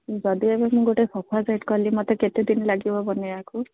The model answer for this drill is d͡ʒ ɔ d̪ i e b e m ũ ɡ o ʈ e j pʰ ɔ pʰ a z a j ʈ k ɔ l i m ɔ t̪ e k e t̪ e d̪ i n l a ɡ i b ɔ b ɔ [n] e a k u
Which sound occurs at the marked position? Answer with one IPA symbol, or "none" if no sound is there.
n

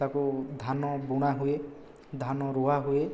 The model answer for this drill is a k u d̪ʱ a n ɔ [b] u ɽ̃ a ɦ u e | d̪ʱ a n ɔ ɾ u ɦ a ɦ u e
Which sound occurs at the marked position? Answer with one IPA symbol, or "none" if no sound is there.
b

